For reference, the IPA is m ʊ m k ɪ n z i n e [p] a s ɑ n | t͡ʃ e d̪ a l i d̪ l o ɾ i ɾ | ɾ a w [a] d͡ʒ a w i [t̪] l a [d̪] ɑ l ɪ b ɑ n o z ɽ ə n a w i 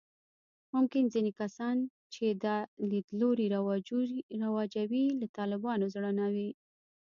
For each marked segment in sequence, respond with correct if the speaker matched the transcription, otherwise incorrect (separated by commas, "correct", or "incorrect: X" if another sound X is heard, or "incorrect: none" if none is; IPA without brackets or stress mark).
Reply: incorrect: k, incorrect: ɑ, incorrect: none, incorrect: t̪